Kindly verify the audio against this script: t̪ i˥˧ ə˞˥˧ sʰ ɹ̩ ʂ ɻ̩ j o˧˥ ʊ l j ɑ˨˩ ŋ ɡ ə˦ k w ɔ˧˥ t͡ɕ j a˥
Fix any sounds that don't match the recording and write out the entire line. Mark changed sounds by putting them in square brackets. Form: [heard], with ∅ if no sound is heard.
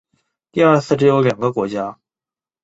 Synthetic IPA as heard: t̪ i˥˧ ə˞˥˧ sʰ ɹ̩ [ʈ͡ʂ] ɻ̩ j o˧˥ ʊ l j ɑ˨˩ ŋ ɡ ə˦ k w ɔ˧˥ t͡ɕ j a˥